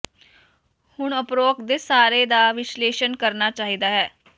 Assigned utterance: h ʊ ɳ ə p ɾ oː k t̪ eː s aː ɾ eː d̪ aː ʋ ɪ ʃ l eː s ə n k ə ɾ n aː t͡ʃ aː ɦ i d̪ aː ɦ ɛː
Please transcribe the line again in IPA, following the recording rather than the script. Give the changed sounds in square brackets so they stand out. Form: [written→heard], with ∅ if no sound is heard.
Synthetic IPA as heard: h ʊ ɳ ə p ɾ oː k [t̪→d̪] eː s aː ɾ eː d̪ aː ʋ ɪ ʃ l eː [s→ʃ] ə n k ə ɾ n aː t͡ʃ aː ɦ i d̪ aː ɦ ɛː